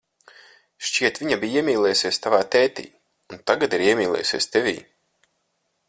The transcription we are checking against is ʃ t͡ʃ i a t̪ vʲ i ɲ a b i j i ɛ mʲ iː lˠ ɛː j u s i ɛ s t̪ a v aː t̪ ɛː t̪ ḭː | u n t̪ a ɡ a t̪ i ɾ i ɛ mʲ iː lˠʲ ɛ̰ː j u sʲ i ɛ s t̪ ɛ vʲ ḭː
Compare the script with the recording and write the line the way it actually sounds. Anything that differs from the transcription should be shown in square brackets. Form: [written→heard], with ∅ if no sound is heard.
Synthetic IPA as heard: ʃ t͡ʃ i [a→ɛ] t̪ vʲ i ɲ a b i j i ɛ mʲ iː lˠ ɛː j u s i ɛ s t̪ a v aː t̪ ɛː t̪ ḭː | u n t̪ a ɡ a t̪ i ɾ i ɛ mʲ iː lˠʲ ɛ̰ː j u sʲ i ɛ s t̪ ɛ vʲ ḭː